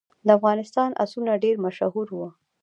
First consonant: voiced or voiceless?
voiced